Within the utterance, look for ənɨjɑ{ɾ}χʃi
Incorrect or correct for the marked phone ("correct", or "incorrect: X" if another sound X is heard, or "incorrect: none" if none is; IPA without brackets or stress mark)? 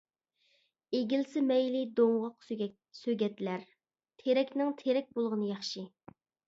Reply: incorrect: none